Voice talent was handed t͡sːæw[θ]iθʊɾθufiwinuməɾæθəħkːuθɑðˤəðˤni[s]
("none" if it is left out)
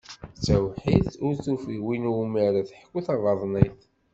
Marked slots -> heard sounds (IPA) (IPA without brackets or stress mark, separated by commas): ħ, θ